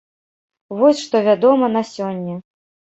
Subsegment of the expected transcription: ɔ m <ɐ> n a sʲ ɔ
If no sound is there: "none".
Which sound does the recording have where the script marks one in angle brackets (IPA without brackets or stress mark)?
ɐ